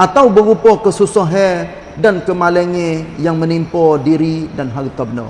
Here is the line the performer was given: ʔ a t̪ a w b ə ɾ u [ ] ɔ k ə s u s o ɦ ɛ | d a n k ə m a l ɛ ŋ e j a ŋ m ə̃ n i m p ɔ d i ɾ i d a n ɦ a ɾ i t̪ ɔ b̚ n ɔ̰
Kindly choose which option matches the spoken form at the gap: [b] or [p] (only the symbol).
p